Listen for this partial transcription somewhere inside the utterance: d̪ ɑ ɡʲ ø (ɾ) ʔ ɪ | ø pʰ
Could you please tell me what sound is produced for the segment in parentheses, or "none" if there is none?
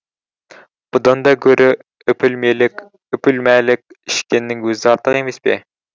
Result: ɾ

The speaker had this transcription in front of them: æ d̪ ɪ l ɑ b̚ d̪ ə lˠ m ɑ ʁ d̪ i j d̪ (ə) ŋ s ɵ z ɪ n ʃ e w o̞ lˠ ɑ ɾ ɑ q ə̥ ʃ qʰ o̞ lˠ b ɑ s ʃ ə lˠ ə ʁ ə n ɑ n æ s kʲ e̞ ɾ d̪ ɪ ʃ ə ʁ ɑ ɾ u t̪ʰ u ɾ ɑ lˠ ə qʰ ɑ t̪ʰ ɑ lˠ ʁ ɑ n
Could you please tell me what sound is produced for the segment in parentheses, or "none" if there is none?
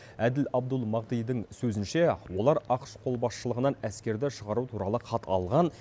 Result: ə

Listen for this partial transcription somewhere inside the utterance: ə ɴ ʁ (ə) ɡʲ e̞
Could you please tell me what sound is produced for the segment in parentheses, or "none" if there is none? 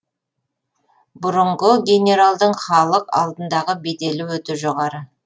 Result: ə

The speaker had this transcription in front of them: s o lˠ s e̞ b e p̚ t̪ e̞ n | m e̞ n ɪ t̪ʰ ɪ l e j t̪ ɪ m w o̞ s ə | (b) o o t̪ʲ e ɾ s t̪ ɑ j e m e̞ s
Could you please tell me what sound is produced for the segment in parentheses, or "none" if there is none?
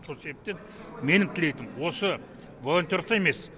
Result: v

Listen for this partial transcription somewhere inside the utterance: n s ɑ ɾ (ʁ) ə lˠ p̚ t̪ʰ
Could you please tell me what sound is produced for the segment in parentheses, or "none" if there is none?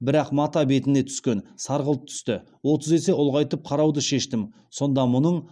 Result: ʁ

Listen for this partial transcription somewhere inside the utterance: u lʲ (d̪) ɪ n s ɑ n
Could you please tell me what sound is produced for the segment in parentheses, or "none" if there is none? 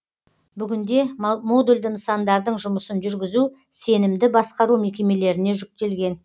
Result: d̪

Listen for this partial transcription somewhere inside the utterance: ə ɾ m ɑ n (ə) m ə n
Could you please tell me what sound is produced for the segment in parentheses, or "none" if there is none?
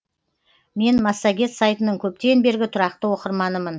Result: ə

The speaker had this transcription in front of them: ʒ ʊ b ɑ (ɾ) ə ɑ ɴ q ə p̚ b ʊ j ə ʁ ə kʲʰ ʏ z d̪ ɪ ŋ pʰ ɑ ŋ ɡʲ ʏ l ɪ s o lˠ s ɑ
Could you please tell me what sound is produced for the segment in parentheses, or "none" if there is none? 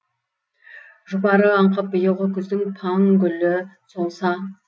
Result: ɾ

